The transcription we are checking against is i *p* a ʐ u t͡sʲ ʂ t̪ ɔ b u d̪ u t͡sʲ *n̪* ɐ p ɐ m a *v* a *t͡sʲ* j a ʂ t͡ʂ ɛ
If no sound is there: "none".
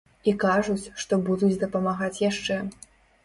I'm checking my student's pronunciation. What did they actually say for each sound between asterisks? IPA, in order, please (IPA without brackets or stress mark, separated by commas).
k, d̪, ɣ, t͡sʲ